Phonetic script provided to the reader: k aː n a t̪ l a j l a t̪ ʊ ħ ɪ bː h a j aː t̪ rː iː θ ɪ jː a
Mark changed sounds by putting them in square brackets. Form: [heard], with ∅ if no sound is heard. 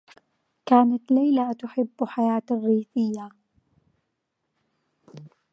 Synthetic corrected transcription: k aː n a t̪ l a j l a t̪ ʊ ħ ɪ bː [ħ] a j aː t̪ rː iː θ ɪ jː a

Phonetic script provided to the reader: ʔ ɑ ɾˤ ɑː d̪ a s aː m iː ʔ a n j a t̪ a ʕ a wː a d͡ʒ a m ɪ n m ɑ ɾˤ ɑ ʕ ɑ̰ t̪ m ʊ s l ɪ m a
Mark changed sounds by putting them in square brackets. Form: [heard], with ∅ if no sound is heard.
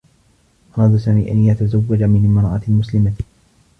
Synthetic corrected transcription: ʔ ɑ ɾˤ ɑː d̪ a s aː m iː ʔ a n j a t̪ a [z] a wː a d͡ʒ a m ɪ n m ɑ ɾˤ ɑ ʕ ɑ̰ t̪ m ʊ s l ɪ m a

